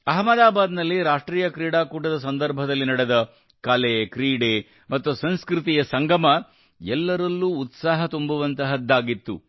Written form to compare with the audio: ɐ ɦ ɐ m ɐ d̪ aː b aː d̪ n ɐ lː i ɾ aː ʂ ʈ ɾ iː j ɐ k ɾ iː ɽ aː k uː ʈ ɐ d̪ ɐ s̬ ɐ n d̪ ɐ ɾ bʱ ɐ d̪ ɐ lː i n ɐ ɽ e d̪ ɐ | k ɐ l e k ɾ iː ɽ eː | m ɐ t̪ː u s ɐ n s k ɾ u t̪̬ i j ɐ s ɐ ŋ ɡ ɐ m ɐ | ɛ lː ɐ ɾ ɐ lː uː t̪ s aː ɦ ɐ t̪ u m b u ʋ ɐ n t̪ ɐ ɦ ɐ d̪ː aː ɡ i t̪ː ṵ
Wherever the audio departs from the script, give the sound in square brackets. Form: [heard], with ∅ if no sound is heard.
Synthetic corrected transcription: ɐ ɦ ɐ m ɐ d̪ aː b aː d̪ n ɐ lː i ɾ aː ʂ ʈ ɾ iː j ɐ k ɾ iː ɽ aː k uː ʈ ɐ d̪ ɐ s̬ ɐ n d̪ ɐ ɾ bʱ ɐ d̪ ɐ lː i n ɐ ɽ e d̪ ɐ | k ɐ l e k ɾ iː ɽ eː | m ɐ t̪ː u s ɐ n s k ɾ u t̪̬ i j ɐ s ɐ ŋ ɡ ɐ m ɐ | ɛ lː ɐ ɾ ɐ lː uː t̪ s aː ɦ ɐ t̪ u m b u ʋ ɐ n t̪ ɐ ɦ ɐ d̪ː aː ɡ i t̪ː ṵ

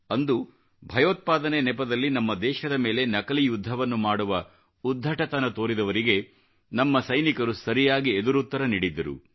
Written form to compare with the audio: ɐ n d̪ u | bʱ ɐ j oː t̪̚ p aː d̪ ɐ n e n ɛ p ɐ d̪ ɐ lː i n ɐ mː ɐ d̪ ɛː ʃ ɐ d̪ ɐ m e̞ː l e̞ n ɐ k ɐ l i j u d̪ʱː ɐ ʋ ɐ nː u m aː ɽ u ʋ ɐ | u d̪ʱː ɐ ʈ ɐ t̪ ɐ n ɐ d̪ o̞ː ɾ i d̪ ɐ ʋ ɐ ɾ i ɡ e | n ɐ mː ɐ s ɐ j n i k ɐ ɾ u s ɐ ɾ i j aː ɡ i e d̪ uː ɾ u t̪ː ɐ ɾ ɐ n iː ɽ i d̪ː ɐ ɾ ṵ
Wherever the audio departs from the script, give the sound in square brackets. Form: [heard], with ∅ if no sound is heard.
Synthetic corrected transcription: ɐ n d̪ u | bʱ ɐ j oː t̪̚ p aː d̪ ɐ n e n ɛ p ɐ d̪ ɐ lː i n ɐ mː ɐ d̪ ɛː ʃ ɐ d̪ ɐ m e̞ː l e̞ n ɐ k ɐ l i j u d̪ʱː ɐ ʋ ɐ nː u m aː ɽ u ʋ ɐ | u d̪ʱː ɐ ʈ ɐ t̪ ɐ n ɐ [t̪] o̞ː ɾ i d̪ ɐ ʋ ɐ ɾ i ɡ e | n ɐ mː ɐ s ɐ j n i k ɐ ɾ u s ɐ ɾ i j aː ɡ i e d̪ [u] ɾ u t̪ː ɐ ɾ ɐ n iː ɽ i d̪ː ɐ ɾ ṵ

